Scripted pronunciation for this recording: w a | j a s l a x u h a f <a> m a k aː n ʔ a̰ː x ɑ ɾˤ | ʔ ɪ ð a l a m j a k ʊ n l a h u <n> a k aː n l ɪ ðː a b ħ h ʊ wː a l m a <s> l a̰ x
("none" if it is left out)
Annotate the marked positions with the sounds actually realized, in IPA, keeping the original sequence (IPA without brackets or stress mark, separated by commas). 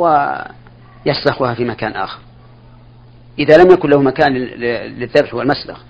i, m, s